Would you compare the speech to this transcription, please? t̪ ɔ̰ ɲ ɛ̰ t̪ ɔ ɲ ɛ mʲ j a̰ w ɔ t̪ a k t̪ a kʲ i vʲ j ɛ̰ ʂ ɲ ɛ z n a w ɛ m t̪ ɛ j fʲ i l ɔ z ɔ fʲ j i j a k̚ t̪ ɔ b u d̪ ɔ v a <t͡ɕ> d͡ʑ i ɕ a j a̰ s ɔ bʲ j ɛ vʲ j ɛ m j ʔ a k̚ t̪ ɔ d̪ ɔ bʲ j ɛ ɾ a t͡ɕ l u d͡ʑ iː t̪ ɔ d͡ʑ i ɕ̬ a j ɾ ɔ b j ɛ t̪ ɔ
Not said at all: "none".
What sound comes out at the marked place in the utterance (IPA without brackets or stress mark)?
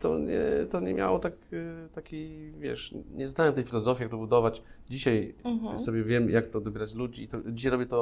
t͡ɕ